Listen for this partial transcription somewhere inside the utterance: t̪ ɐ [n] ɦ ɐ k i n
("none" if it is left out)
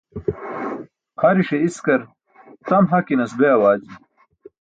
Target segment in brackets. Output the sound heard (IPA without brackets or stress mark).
m